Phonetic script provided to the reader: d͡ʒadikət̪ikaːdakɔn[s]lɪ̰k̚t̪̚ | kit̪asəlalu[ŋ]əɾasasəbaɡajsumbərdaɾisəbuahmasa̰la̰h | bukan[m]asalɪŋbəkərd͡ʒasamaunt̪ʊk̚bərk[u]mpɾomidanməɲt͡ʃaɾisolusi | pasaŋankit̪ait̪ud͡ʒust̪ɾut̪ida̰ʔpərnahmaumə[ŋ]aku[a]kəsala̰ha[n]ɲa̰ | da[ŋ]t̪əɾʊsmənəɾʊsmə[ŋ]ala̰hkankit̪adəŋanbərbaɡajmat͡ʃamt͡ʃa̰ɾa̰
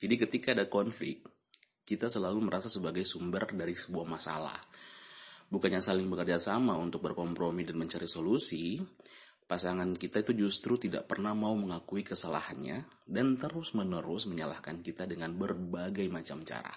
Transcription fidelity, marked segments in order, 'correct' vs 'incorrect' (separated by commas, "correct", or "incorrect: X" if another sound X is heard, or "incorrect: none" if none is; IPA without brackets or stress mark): incorrect: f, incorrect: m, incorrect: ɲ, incorrect: ɔ, correct, incorrect: i, correct, incorrect: n, incorrect: ɲ